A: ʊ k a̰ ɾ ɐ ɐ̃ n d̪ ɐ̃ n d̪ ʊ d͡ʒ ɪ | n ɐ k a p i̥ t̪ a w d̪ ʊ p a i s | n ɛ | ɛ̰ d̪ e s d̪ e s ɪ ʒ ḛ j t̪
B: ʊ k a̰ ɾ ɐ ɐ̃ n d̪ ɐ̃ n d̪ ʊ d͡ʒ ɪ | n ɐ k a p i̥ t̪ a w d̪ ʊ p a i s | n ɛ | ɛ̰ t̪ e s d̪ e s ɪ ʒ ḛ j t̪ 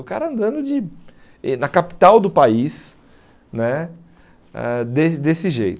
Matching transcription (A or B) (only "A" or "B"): A